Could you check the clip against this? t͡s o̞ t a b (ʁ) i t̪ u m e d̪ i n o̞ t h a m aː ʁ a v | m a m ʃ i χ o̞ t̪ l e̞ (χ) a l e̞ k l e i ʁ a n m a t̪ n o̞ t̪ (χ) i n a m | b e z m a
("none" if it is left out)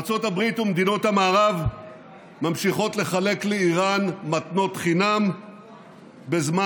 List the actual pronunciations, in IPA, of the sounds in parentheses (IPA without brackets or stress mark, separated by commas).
ʁ, χ, χ